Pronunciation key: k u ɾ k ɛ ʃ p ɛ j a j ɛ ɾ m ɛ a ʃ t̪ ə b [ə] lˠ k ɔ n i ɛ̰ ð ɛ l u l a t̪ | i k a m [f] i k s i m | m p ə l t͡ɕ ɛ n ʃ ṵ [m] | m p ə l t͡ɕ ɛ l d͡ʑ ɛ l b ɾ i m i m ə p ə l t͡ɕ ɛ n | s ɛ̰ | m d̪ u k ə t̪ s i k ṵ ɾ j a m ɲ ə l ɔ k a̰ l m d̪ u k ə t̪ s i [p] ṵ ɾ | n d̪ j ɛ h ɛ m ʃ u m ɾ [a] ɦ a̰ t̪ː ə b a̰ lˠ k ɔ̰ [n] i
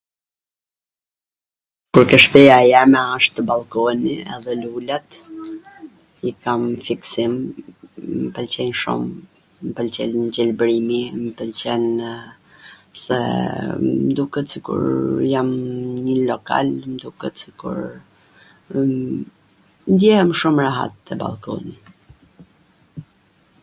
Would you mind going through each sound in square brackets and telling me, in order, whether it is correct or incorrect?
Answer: incorrect, correct, correct, incorrect, correct, correct

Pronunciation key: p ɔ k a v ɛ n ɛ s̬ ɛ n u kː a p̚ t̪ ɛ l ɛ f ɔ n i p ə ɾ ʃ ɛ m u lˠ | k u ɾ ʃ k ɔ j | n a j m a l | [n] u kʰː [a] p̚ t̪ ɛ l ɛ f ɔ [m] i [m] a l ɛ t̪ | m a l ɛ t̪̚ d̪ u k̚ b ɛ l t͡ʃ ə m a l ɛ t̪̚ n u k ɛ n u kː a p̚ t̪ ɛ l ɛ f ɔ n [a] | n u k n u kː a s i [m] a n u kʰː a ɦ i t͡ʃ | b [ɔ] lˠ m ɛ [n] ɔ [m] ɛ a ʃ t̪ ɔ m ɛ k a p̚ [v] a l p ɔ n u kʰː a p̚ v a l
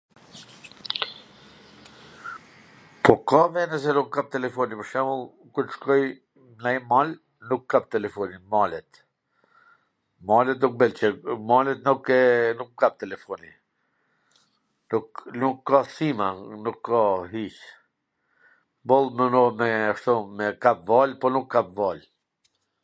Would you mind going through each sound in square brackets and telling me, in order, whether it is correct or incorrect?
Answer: correct, correct, incorrect, correct, incorrect, correct, correct, correct, correct, correct

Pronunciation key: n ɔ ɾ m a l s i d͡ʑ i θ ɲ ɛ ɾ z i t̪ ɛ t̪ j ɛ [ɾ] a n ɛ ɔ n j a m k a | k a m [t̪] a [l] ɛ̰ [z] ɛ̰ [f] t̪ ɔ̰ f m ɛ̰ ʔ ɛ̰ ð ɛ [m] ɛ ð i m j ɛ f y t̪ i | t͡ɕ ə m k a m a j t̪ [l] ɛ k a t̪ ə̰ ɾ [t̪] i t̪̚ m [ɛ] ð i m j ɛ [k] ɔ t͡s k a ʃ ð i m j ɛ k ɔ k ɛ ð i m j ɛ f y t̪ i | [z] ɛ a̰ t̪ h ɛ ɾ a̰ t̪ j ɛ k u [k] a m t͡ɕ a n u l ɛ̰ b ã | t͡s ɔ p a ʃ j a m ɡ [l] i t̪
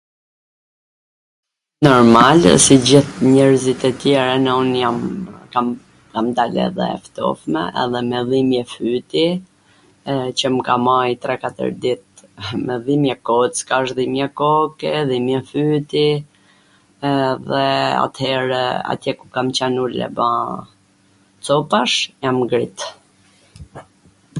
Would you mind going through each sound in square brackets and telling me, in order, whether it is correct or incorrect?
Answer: correct, incorrect, correct, incorrect, correct, correct, incorrect, incorrect, correct, correct, incorrect, correct, incorrect

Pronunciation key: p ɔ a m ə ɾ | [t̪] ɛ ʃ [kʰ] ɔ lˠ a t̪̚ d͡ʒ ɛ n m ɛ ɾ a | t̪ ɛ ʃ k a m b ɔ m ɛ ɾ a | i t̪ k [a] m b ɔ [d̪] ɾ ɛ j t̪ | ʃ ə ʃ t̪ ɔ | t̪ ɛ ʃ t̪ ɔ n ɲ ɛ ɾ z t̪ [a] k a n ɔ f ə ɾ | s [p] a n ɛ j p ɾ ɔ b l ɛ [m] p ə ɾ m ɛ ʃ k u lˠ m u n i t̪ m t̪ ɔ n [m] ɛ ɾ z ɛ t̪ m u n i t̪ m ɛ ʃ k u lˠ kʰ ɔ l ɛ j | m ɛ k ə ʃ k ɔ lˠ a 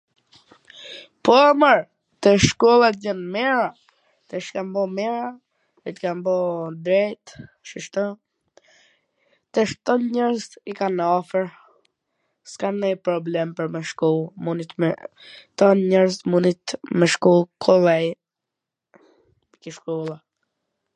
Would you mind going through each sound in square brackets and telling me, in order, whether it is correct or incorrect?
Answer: correct, incorrect, correct, correct, incorrect, incorrect, correct, incorrect

